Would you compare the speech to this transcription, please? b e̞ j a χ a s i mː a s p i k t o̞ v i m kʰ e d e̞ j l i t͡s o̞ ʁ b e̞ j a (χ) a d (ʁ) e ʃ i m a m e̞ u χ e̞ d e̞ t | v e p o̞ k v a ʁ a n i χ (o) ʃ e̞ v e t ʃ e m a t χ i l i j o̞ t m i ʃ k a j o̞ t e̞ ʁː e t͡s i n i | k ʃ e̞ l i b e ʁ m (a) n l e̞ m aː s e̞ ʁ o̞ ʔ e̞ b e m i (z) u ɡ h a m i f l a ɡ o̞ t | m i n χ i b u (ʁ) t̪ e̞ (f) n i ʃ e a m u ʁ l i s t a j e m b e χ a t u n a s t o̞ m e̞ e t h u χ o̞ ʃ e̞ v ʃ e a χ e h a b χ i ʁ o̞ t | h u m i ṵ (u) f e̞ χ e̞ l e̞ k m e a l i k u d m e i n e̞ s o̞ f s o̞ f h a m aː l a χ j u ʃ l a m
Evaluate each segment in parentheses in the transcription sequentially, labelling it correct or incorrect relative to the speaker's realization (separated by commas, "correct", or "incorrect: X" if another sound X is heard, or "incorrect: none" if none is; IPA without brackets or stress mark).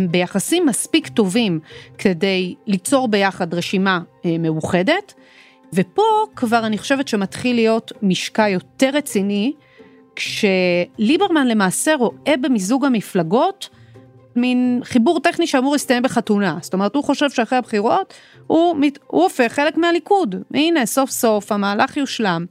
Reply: correct, correct, correct, correct, correct, correct, incorrect: χ, incorrect: o